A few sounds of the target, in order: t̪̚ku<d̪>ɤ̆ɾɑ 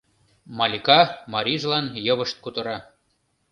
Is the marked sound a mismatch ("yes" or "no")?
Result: yes